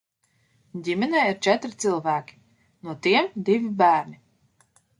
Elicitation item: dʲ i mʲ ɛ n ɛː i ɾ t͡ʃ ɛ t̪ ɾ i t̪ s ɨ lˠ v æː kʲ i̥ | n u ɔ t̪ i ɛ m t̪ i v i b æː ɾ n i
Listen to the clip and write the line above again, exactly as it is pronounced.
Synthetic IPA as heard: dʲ i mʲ ɛ n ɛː i ɾ t͡ʃ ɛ t̪ ɾ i t̪ s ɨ lˠ v æː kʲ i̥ | n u ɔ t̪ i ɛ m d̪ i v i b æː ɾ n i